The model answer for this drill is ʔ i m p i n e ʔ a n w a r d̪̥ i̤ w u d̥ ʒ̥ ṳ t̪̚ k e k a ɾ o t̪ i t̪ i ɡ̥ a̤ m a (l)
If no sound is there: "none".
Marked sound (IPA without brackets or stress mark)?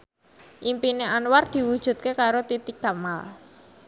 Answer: l